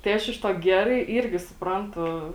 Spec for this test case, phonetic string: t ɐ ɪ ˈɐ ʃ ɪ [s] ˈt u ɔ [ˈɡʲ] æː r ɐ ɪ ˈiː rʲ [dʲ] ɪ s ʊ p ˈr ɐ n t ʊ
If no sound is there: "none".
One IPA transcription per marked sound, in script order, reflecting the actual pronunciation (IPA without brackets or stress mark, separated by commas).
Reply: ʃ, ɡʲ, ɡʲ